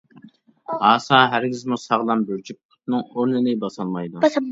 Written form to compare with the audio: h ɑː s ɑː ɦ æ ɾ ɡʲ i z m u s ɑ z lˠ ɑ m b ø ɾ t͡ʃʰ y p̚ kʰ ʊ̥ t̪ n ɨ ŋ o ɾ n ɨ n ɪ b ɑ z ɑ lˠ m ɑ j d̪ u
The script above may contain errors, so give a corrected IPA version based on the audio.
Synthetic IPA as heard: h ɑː s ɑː ɦ æ ɾ ɡʲ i z m u s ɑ ʁ lˠ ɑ m b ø ɾ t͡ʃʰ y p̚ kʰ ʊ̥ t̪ n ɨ ŋ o ɾ n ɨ n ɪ b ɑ s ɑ lˠ m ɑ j d̪ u